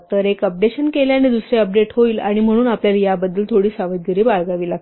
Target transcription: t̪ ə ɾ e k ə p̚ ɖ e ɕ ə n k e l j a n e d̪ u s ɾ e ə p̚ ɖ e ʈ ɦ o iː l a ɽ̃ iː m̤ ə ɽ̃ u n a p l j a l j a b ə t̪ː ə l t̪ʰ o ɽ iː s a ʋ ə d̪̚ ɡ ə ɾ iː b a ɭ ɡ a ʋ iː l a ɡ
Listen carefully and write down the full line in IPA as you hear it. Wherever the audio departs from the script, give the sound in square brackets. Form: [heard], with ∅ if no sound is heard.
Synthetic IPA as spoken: t̪ ə ɾ e k ə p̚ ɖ e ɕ ə n k e l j a n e d̪ u s ɾ e ə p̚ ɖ e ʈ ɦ o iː l a ɽ̃ [i] m̤ ə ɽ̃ [uː] n a p l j a l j a b ə [d̪ː] ə l t̪ʰ o ɽ iː s a ʋ ə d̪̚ ɡ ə ɾ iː b a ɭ ɡ a ʋ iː l a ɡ